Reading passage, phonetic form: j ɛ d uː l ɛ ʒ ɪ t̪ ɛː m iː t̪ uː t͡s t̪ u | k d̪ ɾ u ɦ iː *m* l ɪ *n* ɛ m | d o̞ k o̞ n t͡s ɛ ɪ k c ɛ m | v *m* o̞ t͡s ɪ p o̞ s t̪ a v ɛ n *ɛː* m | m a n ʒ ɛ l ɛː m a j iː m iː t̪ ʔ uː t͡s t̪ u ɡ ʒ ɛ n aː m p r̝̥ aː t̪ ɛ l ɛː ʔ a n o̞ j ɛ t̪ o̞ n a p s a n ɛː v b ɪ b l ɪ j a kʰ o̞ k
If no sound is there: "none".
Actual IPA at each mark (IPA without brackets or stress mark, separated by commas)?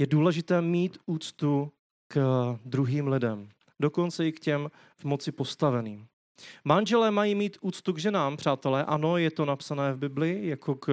m, d, m, iː